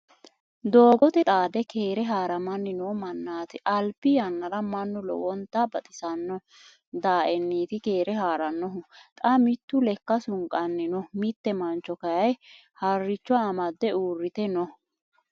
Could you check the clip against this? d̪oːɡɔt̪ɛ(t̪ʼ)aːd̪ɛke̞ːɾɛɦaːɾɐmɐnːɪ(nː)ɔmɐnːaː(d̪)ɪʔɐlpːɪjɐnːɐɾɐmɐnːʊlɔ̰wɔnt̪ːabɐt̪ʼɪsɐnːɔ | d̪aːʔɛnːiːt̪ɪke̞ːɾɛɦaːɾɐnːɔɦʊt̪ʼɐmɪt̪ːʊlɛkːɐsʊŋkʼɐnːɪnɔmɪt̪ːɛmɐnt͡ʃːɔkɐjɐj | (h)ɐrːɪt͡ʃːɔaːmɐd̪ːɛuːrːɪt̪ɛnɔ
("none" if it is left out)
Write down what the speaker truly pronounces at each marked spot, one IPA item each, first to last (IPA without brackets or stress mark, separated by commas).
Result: t̪ʼ, n, t̪, h